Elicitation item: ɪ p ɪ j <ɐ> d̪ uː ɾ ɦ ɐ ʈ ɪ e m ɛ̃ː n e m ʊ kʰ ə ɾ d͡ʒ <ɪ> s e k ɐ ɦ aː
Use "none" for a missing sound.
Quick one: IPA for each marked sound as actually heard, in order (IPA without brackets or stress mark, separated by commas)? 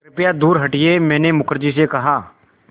a, i